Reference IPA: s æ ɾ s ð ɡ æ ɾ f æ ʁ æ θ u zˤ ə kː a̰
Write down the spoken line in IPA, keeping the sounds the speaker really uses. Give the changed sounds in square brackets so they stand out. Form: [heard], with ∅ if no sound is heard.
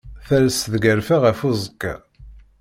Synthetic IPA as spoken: [θ] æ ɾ s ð ɡ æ ɾ f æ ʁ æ [f] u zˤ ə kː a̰